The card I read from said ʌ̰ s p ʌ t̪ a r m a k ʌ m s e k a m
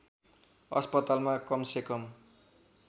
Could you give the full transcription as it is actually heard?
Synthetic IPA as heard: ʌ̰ s p ʌ t̪ a l m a k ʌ m s e k ʌ m